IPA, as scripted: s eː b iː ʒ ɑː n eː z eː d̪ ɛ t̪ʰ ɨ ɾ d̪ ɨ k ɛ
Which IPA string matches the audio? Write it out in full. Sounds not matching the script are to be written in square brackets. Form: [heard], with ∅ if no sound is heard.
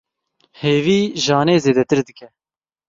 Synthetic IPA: [h] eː [v] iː ʒ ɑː n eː z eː d̪ ɛ [t̪] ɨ ɾ d̪ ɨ k ɛ